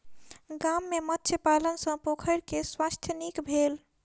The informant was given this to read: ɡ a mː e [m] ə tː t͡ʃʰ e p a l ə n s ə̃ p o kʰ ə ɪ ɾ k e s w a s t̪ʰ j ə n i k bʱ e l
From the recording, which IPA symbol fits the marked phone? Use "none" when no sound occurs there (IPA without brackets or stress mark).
m